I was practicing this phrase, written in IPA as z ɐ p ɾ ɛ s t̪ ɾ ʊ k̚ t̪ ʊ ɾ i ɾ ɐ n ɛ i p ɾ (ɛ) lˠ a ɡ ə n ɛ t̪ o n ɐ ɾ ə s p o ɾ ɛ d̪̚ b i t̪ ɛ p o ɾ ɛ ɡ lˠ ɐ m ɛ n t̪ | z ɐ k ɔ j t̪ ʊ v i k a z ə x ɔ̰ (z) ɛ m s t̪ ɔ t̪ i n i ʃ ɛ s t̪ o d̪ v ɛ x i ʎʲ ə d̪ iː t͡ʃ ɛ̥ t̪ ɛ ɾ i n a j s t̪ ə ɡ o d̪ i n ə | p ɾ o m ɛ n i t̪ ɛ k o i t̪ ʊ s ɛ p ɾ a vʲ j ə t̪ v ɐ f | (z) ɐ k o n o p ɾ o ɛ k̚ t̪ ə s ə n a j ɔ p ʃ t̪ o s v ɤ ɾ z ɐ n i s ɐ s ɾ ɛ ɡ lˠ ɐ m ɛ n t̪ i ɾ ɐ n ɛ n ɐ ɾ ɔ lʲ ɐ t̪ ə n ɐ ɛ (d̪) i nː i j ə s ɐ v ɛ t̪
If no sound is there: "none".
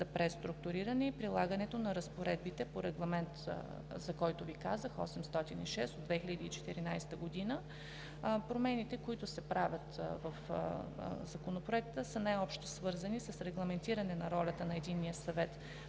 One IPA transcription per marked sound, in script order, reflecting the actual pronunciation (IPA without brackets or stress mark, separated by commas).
i, s, z, d̪